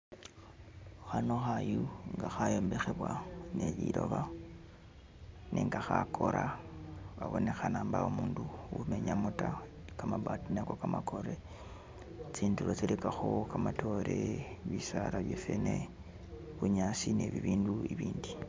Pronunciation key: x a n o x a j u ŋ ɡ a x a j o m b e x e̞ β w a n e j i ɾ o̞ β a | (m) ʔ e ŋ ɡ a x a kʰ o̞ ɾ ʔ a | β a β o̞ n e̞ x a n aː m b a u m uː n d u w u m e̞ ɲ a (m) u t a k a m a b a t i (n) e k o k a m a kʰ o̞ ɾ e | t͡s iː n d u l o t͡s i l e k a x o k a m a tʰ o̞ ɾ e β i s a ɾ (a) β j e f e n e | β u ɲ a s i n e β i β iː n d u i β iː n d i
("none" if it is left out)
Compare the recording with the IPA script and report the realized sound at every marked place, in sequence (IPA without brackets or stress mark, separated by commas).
n, m, n, a